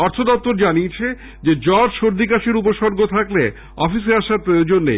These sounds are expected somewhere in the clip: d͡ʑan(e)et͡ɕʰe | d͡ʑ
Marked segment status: incorrect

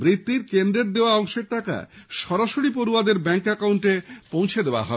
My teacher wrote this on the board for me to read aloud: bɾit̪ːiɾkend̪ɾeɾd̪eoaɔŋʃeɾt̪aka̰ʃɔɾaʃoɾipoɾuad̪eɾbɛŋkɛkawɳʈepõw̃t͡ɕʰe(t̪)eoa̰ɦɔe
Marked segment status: incorrect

